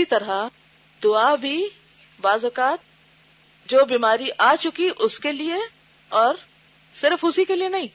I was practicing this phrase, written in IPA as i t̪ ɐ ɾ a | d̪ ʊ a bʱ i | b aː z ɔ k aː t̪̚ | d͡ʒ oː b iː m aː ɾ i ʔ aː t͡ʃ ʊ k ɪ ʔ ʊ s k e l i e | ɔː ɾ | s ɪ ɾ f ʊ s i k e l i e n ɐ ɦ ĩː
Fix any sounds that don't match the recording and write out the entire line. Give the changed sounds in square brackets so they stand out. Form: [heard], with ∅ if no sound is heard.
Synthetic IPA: i t̪ ɐ ɾ a | d̪ ʊ a bʱ i | b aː z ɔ k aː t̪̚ | d͡ʒ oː b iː m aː ɾ i ʔ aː t͡ʃ ʊ k [i] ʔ ʊ s k e l i e | ɔː ɾ | s ɪ ɾ f ʊ s i k e l i e n ɐ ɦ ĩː